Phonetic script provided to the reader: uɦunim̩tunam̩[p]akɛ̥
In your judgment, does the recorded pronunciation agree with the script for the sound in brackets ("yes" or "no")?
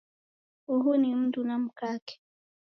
no